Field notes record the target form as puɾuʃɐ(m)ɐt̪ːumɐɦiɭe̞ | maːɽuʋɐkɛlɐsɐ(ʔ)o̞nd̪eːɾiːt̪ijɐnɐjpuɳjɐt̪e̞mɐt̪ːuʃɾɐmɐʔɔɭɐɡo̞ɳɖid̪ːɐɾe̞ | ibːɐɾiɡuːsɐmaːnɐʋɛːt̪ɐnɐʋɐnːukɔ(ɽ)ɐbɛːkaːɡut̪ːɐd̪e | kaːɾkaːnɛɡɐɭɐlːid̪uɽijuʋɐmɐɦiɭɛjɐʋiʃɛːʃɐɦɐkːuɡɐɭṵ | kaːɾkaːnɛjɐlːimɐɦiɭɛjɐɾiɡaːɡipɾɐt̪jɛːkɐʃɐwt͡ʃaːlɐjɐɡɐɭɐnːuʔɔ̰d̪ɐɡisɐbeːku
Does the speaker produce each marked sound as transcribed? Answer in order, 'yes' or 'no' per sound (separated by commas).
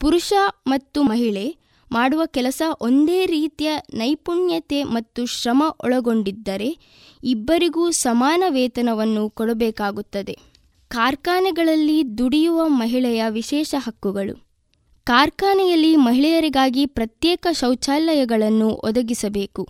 yes, yes, yes